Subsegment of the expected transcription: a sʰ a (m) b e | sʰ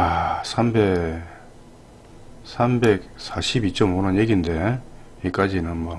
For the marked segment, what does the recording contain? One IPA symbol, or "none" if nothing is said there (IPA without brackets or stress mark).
m